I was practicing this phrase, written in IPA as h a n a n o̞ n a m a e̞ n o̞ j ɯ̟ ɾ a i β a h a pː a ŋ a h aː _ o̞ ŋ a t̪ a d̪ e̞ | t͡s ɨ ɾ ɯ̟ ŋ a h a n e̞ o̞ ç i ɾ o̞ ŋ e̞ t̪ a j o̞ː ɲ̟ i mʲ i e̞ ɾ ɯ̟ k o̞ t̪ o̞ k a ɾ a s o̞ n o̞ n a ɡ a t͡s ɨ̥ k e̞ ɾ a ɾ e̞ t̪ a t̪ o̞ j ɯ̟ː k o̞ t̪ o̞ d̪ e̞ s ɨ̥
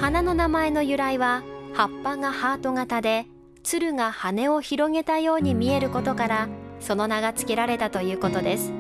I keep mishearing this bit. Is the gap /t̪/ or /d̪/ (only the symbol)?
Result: t̪